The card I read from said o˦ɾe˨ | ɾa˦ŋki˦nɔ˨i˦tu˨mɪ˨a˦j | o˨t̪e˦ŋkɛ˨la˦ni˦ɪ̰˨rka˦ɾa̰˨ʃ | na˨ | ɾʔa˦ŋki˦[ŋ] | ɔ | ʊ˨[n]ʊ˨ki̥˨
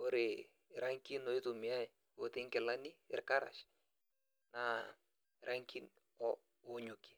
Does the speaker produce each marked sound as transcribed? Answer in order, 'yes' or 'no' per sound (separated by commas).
no, no